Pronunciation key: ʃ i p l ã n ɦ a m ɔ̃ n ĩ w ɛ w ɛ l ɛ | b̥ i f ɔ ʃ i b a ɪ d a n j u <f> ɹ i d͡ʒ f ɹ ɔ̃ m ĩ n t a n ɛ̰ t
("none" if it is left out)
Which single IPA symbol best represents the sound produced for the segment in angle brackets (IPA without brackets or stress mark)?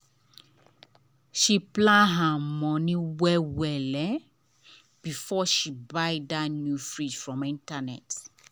f